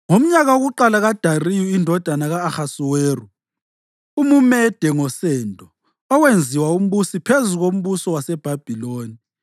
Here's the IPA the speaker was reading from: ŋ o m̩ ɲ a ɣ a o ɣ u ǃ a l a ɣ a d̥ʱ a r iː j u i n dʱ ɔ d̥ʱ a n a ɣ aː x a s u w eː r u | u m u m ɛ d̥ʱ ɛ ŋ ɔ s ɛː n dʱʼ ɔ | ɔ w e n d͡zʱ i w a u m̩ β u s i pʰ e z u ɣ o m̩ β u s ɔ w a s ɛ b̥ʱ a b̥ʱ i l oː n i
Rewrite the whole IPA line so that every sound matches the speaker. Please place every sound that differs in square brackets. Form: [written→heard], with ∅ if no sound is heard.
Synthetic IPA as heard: ŋ o m̩ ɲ a ɣ a o ɣ u ǃ a l a ɣ a d̥ʱ a r [iː→i] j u i n dʱ ɔ d̥ʱ a n a ɣ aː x a s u w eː r u | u m u m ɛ d̥ʱ ɛ ŋ ɔ s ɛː n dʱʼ ɔ | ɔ w e n d͡zʱ i w a u m̩ β u s i pʰ e z u ɣ o m̩ β u s ɔ w a s ɛ b̥ʱ a b̥ʱ i l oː n i